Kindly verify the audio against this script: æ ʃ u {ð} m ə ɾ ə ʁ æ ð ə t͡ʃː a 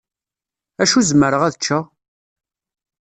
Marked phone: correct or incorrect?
incorrect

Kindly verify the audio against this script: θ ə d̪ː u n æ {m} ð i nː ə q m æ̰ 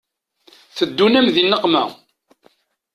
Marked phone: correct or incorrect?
correct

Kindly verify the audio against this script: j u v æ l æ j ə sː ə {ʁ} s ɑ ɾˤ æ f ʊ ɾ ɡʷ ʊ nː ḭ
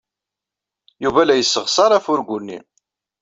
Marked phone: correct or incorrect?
correct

